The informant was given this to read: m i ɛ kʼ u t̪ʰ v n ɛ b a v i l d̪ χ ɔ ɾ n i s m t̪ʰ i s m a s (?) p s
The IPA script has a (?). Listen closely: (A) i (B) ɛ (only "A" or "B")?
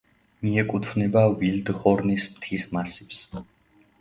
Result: A